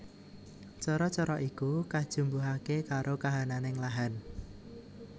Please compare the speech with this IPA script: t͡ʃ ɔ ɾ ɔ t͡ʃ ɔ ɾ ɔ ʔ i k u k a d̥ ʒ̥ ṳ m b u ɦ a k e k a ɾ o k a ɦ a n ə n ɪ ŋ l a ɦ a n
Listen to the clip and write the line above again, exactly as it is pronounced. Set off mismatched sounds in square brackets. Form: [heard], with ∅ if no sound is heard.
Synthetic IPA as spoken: t͡ʃ ɔ ɾ ɔ t͡ʃ ɔ ɾ ɔ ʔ i k u k a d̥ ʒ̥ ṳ m b u ɦ a k e k a ɾ o k a ɦ a n [a] n ɪ ŋ l a ɦ a n